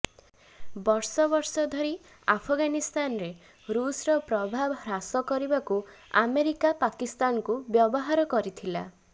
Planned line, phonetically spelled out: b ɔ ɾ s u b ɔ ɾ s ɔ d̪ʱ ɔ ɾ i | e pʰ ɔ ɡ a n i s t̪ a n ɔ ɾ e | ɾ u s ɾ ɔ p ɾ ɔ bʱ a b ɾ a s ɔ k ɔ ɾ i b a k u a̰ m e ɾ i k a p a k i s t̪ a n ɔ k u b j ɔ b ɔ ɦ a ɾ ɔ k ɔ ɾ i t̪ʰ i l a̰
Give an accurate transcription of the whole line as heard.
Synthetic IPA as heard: b ɔ ɾ s ɔ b ɔ ɾ s ɔ d̪ʱ ɔ ɾ i | a pʰ ɔ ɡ a n i s t̪ a n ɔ ɾ e | ɾ u s ɾ ɔ p ɾ ɔ bʱ a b ɾ a s ɔ k ɔ ɾ i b a k u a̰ m e ɾ i k a p a k i s t̪ a n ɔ k u b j ɔ b ɔ ɦ a ɾ ɔ k ɔ ɾ i t̪ʰ i l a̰